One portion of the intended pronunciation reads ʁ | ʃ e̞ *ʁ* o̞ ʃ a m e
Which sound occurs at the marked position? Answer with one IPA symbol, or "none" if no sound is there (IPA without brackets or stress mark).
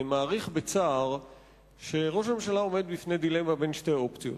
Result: ʁ